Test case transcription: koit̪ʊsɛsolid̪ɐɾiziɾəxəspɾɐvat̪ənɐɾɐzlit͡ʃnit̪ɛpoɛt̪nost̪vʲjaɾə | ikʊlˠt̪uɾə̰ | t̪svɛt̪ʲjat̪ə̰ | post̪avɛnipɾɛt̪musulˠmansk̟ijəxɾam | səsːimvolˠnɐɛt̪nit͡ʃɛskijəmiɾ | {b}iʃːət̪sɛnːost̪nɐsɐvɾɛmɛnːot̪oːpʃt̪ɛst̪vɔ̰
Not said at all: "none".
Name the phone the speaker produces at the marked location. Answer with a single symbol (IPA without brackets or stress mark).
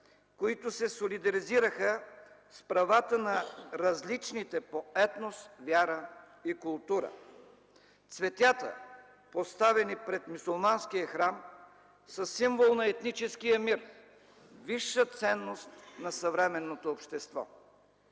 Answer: v